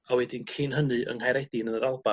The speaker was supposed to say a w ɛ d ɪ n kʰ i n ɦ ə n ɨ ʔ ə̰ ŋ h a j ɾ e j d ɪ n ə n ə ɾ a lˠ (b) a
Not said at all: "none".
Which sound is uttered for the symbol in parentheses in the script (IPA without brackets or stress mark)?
b